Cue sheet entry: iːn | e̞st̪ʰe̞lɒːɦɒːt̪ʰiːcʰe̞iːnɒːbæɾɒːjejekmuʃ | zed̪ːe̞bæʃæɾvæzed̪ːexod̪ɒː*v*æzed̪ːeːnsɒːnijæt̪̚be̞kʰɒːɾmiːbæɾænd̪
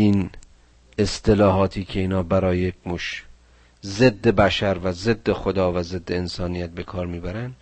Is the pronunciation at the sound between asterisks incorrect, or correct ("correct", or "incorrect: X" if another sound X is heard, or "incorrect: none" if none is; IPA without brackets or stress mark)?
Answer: correct